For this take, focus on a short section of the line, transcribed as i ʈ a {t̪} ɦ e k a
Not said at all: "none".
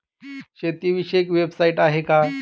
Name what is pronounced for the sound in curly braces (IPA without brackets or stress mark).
none